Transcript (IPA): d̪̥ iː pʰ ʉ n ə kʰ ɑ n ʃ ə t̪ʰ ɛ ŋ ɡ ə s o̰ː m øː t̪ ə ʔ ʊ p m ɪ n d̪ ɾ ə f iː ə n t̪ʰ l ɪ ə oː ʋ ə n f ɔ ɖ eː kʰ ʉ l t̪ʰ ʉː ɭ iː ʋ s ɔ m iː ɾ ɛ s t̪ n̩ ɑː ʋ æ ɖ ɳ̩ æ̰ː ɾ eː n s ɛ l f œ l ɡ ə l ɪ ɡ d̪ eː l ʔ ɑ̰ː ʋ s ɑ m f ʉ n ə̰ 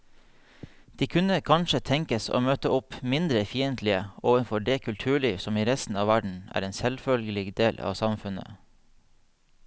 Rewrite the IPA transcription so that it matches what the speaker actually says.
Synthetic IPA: d̪̥ iː kʰ ʉ n ə kʰ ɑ n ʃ ə t̪ʰ ɛ ŋ k ə s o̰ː m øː t̪ ə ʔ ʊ p m ɪ n d̪ ɾ ə f iː ə n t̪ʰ l ɪ ə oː ʋ ə n f ɔ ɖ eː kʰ ʉ l t̪ʰ ʉː ɭ iː ʋ s ɔ m iː ɾ ɛ s t̪ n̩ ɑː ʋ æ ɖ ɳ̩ æ̰ː ɾ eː n s ɛ l f œ l ɡ ə l ɪ ɡ d̪ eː l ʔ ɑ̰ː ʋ s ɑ m f ʉ n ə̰